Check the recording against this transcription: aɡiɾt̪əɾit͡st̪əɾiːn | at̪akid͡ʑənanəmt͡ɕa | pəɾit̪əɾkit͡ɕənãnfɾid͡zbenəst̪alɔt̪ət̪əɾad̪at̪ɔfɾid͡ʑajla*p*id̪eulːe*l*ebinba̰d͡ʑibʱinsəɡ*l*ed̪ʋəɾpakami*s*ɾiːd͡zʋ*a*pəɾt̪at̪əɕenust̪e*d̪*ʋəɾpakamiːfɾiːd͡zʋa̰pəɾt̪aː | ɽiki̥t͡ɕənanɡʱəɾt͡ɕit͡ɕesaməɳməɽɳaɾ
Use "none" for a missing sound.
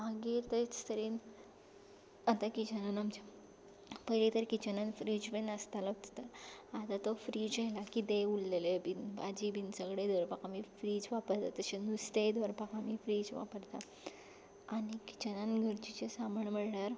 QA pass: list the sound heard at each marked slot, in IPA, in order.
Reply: k, l, ɽ, f, a, d̪

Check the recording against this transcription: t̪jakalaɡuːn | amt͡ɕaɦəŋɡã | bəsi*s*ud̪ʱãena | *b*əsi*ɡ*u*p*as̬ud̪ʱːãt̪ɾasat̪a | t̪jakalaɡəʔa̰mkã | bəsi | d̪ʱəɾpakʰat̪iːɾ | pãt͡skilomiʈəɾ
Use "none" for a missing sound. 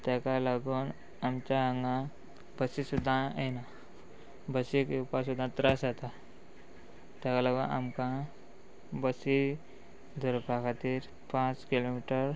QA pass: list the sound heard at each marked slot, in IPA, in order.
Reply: s, b, k, p

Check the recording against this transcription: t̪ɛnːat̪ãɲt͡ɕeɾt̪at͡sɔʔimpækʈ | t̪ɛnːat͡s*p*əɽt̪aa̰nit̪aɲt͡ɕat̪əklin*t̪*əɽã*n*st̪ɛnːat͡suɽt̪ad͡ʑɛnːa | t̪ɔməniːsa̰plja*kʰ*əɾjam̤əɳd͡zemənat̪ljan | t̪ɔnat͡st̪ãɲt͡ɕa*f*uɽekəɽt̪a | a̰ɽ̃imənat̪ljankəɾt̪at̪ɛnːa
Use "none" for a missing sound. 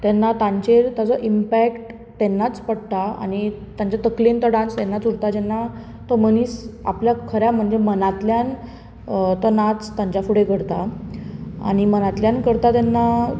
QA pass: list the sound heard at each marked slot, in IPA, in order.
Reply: p, t̪, n, kʰ, f

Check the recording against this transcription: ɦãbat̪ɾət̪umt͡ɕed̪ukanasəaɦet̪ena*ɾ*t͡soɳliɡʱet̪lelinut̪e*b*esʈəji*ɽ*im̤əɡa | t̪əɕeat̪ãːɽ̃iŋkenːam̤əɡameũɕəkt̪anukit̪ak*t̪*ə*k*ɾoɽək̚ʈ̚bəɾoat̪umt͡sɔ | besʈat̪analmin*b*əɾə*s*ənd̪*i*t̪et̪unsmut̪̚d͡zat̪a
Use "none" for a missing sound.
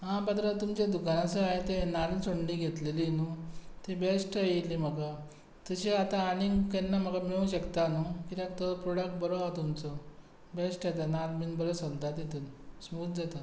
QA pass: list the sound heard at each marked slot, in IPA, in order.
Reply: l, b, l, t̪, p, b, s, a

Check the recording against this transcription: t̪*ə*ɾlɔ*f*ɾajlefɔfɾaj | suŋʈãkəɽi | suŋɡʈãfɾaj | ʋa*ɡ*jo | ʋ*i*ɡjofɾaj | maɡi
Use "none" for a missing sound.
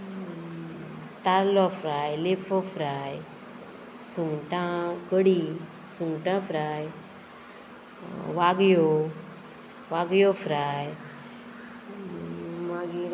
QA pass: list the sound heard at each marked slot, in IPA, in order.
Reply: a, f, ɡ, a

